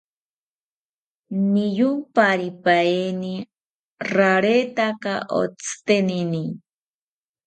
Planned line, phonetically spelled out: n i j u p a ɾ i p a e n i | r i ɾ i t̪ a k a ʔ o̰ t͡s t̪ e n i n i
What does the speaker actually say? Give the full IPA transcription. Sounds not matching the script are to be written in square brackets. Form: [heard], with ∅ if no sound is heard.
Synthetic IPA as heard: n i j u p a ɾ i p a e n i | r [a] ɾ [e] t̪ a k a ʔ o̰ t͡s t̪ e n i n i